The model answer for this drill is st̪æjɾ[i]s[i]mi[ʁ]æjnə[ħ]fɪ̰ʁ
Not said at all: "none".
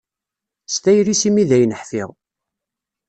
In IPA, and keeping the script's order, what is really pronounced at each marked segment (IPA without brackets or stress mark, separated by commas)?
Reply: i, i, ð, ħ